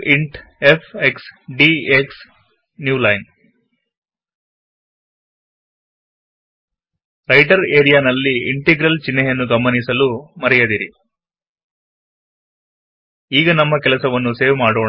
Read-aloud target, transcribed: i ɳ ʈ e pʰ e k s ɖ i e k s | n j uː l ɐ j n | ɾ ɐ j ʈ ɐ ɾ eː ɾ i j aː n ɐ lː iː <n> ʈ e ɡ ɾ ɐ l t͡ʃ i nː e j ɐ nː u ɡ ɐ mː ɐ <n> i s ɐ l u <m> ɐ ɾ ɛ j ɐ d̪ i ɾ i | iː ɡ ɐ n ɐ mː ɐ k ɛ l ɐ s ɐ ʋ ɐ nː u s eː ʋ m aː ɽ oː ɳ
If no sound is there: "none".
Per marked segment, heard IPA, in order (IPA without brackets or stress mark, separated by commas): ɳ, n, m